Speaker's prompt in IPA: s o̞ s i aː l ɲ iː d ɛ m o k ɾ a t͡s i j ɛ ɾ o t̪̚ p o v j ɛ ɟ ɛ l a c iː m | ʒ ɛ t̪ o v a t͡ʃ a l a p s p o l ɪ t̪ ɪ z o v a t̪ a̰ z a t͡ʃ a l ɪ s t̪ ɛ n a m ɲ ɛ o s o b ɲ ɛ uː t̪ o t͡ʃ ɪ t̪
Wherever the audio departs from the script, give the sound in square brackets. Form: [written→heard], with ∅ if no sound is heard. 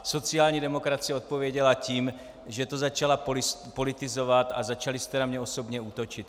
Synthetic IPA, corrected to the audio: s o̞ [s→t͡s] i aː l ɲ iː d ɛ m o k ɾ a t͡s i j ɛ [ɾ→∅] o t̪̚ p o v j ɛ ɟ ɛ l a c iː m | ʒ ɛ t̪ o [v→z] a t͡ʃ a l a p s p o l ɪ t̪ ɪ z o v a t̪ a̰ z a t͡ʃ a l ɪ s t̪ ɛ n a m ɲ ɛ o s o b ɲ ɛ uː t̪ o t͡ʃ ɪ t̪